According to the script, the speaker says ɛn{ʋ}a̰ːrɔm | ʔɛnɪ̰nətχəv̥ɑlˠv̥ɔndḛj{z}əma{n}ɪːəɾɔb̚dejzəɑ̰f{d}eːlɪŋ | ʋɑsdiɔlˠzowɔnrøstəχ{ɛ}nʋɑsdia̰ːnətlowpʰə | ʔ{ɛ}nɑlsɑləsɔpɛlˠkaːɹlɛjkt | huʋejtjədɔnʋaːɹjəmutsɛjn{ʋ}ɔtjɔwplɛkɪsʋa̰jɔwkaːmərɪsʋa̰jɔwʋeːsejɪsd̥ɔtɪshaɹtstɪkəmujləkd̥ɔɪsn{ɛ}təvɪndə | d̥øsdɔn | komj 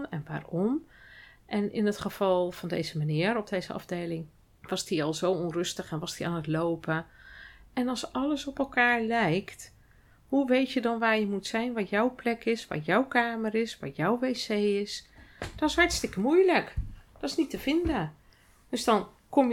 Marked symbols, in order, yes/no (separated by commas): yes, yes, yes, yes, yes, yes, yes, no